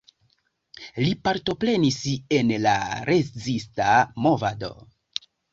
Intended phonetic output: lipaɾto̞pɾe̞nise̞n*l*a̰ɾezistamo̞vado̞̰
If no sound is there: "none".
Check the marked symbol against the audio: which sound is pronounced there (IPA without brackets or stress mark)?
l